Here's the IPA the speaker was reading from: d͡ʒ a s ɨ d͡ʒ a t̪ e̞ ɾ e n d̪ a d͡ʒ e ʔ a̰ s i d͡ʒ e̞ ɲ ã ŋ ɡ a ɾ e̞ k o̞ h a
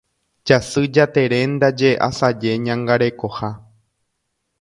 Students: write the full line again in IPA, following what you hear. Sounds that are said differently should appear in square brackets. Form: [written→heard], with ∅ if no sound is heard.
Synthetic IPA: d͡ʒ a s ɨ d͡ʒ a t̪ e̞ ɾ e n d̪ a d͡ʒ e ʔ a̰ s [i→a] d͡ʒ e̞ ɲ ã ŋ ɡ a ɾ e̞ k o̞ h a